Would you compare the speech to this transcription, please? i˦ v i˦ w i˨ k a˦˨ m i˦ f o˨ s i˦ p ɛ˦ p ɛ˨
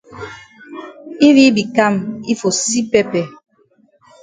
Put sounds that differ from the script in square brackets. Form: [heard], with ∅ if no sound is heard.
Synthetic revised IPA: i˦ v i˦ [b] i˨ k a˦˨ m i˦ f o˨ s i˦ p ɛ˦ p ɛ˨